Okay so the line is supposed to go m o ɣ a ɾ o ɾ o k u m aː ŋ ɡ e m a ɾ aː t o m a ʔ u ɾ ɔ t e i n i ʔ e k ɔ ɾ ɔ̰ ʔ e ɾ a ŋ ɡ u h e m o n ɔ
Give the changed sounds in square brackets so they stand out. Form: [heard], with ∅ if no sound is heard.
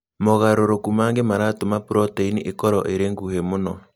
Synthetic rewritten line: m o ɣ a ɾ o ɾ o k u m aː ŋ ɡ e m a ɾ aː t o m a [p] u ɾ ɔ t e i n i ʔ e k ɔ ɾ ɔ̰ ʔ e ɾ [e] ŋ ɡ u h e m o n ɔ

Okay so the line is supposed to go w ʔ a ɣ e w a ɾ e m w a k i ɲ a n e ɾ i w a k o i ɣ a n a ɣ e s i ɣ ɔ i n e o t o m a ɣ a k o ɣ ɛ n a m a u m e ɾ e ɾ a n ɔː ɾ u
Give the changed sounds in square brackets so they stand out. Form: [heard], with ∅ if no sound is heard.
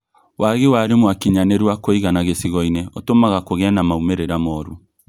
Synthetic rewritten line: w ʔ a ɣ e w a ɾ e m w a k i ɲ a n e ɾ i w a k o i ɣ a n a ɣ e s i ɣ ɔ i n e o t o m a ɣ a k o ɣ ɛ n a m a u m e ɾ e ɾ a [m] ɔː ɾ u

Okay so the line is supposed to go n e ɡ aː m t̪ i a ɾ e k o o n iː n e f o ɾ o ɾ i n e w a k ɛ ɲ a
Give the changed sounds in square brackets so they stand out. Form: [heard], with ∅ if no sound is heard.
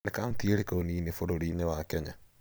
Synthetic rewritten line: n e [k] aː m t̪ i [e] ɾ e k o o n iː n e f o ɾ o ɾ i n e w a k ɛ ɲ a

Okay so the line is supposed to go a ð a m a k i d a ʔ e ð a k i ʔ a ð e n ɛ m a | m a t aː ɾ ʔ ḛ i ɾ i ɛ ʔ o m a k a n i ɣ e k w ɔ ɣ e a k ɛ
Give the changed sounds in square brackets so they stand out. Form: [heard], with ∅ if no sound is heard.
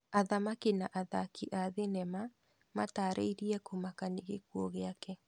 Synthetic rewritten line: a ð a m a k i [n] a ʔ [a] ð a k i ʔ a ð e n ɛ m a | m a t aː ɾ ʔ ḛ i ɾ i ɛ [k] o m a k a n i ɣ e k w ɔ ɣ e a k ɛ

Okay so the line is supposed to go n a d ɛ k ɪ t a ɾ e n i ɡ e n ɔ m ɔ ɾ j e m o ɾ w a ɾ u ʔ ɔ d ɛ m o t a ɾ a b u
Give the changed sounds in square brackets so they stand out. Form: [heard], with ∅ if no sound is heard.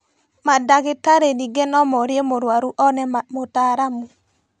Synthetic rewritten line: [m] a d [a] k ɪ t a ɾ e n i ɡ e n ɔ m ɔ ɾ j e m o ɾ w a ɾ u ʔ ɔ [n] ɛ m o t a ɾ a [m] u

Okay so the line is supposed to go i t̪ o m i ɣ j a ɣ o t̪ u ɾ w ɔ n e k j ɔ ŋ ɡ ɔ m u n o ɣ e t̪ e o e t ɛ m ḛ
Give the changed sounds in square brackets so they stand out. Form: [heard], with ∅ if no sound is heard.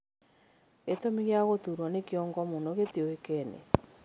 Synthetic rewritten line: [e] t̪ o m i ɣ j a ɣ o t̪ u ɾ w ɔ n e k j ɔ ŋ ɡ ɔ m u n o ɣ e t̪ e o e [k] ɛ [n] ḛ

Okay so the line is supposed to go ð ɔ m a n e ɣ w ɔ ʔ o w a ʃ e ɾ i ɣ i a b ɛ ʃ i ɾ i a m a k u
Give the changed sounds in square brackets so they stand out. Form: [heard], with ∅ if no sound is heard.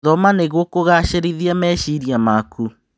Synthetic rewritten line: ð ɔ m a n e ɣ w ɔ [k] o [ɣ] a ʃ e ɾ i [ð] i a [m] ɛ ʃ i ɾ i a m a k u

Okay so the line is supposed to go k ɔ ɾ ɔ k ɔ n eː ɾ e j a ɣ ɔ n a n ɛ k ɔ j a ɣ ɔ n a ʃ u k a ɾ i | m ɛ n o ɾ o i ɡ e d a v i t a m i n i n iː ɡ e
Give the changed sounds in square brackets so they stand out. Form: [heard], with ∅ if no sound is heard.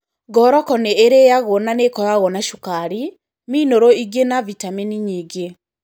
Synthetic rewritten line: [ɡ] ɔ ɾ ɔ k ɔ n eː ɾ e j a ɣ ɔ n a n [e] k ɔ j a ɣ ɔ n a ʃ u k a ɾ i | m [i] n o ɾ o i ɡ e [n] a v i t a m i n i [ɲ] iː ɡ e

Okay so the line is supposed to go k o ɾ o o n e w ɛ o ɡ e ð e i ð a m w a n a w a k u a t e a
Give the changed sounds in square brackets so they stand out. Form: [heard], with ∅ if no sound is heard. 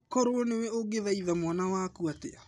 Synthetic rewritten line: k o ɾ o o n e w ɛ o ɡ e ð [a] i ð a m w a n a w a k u a t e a

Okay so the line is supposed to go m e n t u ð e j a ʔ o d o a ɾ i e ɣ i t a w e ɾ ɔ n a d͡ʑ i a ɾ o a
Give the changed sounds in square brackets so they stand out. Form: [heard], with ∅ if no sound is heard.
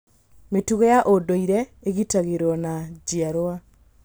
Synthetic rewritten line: m e [∅] t u [ɣ] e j a ʔ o d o [i] ɾ [ɛ] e ɣ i t a [ɣ] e ɾ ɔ n a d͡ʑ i a ɾ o a

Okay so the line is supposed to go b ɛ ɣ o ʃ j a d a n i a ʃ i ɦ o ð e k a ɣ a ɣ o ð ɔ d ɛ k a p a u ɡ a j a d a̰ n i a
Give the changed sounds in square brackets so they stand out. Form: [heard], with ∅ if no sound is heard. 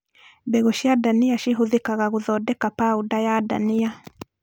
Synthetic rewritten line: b ɛ ɣ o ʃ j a d a n i a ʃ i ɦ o ð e k a ɣ a ɣ o ð ɔ d ɛ k a p a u [d] a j a d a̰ n i a

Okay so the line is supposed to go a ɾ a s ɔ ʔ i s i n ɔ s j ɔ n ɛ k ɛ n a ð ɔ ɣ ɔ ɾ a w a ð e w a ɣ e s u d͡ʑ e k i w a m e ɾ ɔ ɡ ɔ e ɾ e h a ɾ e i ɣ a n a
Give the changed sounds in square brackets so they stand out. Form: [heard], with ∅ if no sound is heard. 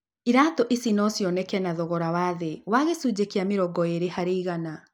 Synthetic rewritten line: [i] ɾ a [t] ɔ ʔ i s i n ɔ s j ɔ n ɛ k ɛ n a ð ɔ ɣ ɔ ɾ a w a ð e w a ɣ e s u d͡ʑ e k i [∅] a m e ɾ ɔ ɡ ɔ e ɾ e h a ɾ e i ɣ a n a

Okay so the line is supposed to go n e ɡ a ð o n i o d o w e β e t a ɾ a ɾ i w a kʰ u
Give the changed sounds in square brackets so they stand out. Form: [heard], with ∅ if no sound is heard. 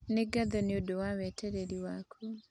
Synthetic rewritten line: n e ɡ a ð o n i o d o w [a] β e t [e] ɾ [e] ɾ i w a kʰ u

